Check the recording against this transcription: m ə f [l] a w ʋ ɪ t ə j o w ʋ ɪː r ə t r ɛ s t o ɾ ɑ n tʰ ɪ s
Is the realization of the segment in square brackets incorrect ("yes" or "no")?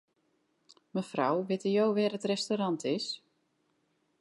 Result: yes